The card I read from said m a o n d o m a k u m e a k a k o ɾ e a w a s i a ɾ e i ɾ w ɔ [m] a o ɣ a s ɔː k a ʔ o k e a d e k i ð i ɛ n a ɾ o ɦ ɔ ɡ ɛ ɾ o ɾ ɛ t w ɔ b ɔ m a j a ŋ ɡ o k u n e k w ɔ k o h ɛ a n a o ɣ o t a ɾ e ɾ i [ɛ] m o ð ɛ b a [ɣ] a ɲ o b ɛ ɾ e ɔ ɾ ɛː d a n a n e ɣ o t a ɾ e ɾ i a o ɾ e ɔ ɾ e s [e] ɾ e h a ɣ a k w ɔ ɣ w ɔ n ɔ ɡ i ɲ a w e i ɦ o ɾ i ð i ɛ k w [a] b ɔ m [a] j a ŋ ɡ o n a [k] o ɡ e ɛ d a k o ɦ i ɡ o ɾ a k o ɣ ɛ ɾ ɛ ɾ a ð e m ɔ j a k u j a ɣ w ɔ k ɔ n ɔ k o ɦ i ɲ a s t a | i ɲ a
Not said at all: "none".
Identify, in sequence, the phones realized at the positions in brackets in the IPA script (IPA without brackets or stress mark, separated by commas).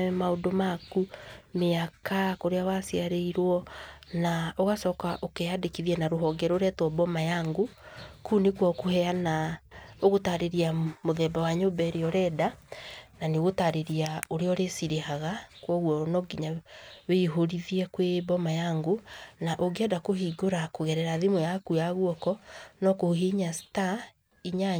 n, a, w, i, e, a, ʔ